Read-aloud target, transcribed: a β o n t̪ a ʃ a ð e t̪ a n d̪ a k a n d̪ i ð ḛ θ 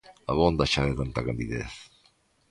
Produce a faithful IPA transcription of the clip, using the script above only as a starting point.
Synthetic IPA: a β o n d̪ a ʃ a ð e t̪ a n t̪ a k a n d̪ i ð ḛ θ